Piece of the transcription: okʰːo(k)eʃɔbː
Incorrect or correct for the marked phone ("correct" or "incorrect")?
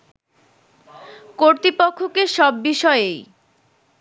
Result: correct